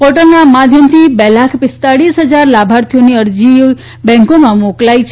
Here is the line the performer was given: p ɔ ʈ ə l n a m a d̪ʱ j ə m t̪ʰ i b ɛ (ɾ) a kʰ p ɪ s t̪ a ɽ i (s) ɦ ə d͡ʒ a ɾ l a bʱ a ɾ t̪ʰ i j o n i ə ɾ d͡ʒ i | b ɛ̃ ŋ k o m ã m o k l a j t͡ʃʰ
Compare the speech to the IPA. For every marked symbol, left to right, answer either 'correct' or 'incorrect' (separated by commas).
incorrect, correct